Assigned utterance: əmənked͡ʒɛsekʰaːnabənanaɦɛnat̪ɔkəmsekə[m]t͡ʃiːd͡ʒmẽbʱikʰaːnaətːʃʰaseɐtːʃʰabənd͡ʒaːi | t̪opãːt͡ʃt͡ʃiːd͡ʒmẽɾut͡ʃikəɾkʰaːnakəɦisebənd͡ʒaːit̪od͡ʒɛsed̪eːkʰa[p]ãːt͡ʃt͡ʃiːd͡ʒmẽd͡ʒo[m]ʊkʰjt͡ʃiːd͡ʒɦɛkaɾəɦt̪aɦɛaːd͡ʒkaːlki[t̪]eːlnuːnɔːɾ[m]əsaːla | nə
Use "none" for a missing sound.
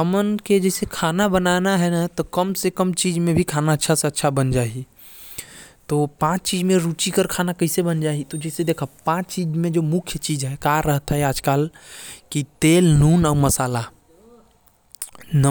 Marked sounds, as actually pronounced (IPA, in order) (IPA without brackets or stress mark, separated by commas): m, p, m, t̪, m